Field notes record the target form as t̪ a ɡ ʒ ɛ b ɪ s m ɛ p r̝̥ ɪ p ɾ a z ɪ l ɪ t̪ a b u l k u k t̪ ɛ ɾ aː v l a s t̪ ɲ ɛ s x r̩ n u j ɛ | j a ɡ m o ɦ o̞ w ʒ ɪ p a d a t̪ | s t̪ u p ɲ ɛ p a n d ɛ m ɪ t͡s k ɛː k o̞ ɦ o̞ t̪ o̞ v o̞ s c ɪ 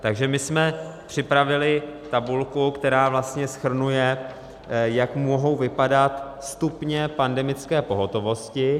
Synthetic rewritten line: t̪ a ɡ ʒ ɛ m ɪ s m ɛ p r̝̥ ɪ p ɾ a v ɪ l ɪ t̪ a b u l k u k t̪ ɛ ɾ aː v l a s t̪ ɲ ɛ s x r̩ n u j ɛ | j a k m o ɦ o̞ w v ɪ p a d a t̪ | s t̪ u p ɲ ɛ p a n d ɛ m ɪ t͡s k ɛː p o̞ ɦ o̞ t̪ o̞ v o̞ s c ɪ